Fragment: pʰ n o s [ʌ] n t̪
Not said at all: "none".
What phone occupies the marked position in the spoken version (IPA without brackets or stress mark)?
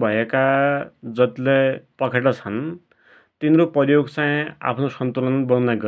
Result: ʌ